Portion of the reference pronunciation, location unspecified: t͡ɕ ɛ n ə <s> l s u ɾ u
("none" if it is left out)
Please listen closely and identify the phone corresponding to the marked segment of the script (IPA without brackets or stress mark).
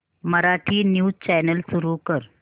none